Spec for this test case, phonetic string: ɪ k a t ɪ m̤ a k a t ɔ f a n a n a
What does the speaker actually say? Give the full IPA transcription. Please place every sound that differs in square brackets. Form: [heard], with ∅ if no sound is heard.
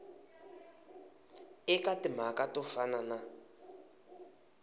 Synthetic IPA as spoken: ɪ k a t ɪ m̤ a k a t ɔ f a n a n a